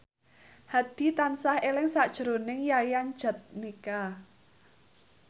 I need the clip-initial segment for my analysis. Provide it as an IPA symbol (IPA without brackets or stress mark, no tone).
h